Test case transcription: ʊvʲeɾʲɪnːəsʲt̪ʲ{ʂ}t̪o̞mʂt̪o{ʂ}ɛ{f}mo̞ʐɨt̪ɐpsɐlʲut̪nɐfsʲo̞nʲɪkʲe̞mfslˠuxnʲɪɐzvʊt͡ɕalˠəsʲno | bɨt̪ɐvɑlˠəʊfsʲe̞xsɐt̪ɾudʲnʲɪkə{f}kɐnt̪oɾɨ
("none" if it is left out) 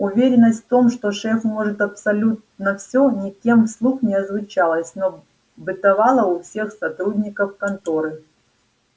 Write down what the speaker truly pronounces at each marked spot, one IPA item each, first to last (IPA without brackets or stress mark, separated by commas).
f, ʂ, f, f